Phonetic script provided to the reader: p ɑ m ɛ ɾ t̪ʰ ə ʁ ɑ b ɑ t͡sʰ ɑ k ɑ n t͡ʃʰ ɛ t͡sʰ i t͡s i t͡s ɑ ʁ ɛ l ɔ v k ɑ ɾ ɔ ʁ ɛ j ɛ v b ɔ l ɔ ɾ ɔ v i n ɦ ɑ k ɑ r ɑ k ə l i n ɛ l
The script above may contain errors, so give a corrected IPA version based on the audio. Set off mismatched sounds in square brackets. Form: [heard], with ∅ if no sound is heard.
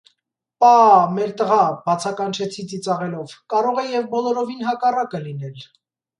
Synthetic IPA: p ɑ m ɛ ɾ [t̪] ə ʁ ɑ b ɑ t͡sʰ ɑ k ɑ n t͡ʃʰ ɛ t͡sʰ i t͡s i t͡s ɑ ʁ ɛ l ɔ v k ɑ ɾ ɔ ʁ ɛ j ɛ v b ɔ l ɔ ɾ ɔ v i n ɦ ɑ k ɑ r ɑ k ə l i n ɛ l